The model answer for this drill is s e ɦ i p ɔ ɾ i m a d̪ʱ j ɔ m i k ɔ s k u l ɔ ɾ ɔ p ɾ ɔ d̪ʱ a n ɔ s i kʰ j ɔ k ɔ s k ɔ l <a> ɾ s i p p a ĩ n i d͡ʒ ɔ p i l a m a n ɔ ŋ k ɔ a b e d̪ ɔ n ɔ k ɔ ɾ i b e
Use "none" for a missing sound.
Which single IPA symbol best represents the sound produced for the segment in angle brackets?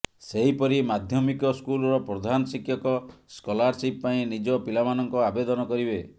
a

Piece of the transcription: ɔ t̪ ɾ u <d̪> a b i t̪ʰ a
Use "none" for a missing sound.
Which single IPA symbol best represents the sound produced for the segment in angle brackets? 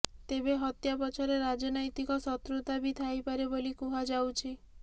t̪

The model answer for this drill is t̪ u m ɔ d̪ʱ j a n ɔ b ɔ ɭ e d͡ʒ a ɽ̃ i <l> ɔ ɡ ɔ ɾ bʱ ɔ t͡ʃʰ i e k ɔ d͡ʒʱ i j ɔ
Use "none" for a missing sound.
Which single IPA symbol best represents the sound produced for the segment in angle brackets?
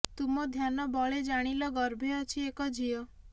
l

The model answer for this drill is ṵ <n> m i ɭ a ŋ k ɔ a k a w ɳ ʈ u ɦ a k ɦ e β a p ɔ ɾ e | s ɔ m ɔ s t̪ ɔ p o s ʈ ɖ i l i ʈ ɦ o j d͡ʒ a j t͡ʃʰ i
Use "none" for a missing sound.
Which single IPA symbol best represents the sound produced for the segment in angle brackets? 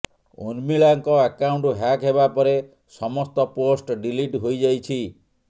n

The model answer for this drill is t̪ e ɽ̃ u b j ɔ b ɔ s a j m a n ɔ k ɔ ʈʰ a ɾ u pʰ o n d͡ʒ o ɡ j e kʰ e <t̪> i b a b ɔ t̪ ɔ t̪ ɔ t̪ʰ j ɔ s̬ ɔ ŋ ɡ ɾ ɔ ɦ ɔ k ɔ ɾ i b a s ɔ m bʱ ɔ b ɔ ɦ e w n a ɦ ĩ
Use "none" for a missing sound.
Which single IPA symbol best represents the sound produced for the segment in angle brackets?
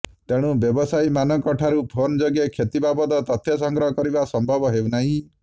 t̪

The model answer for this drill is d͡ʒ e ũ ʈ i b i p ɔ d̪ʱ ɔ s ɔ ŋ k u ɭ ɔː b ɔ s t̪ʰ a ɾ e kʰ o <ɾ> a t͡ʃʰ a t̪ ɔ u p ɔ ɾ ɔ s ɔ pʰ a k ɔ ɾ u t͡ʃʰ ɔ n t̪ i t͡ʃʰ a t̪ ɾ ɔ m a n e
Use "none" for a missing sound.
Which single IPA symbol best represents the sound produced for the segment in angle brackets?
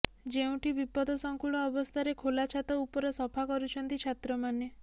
l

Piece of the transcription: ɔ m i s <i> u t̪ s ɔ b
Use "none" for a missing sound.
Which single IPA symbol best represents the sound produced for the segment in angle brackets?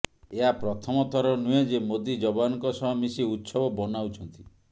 i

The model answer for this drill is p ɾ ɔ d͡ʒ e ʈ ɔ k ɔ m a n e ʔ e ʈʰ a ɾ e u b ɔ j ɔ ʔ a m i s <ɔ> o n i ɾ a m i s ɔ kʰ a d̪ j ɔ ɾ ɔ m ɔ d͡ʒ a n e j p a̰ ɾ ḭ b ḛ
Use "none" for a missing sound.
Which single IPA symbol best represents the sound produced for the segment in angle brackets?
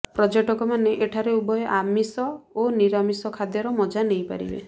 ɔ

